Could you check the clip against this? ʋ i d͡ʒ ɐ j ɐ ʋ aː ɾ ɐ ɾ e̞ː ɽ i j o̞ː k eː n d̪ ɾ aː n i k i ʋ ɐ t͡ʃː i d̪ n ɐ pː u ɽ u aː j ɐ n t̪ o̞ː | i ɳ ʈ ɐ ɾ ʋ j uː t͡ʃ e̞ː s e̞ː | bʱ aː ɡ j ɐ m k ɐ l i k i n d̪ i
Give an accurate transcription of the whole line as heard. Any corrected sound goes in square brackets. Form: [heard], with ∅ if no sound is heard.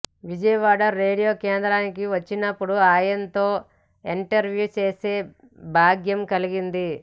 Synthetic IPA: ʋ i d͡ʒ ɐ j ɐ ʋ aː [ɽ] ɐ ɾ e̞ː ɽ i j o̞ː k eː n d̪ ɾ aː n i k i ʋ ɐ t͡ʃː i [∅] n ɐ pː u ɽ u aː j ɐ n t̪ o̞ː | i ɳ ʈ ɐ ɾ ʋ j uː t͡ʃ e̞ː s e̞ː | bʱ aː ɡ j ɐ m k ɐ l i [ɡ] i n d̪ i